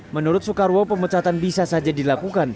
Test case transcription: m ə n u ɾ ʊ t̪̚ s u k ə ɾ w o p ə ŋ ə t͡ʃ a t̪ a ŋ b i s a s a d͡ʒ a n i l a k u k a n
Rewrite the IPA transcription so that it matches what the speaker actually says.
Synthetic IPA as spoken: m ə n u ɾ ʊ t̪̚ s u k a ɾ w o p ə m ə t͡ʃ a t̪ a n b i s a s a d͡ʒ a d i l a k u k a n